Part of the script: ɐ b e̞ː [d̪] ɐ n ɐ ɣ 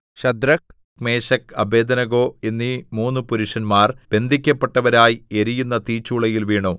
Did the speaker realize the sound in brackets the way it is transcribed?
yes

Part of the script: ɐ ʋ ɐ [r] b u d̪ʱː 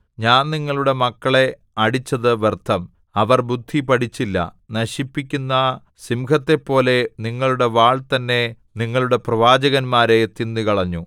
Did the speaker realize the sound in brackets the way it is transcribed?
yes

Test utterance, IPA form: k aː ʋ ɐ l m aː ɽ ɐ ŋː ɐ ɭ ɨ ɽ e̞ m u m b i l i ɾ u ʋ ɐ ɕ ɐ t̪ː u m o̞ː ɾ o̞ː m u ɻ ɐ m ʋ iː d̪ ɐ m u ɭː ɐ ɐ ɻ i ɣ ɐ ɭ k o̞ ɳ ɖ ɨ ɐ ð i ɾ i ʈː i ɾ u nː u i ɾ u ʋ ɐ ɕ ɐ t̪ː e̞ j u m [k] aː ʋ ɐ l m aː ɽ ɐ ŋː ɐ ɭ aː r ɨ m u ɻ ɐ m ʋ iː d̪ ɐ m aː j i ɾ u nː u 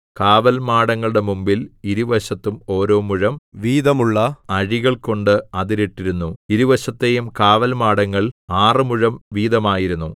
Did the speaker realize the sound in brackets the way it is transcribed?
yes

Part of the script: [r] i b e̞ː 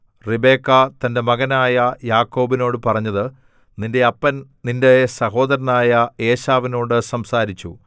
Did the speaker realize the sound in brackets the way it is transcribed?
yes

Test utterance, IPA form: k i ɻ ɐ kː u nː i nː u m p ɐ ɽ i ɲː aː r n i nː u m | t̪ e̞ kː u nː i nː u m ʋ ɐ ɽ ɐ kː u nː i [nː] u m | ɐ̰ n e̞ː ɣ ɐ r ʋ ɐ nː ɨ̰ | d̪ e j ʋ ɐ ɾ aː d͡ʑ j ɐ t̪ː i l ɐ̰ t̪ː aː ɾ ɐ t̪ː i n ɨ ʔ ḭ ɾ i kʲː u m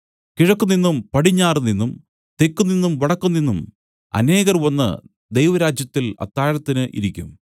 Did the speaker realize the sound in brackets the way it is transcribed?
yes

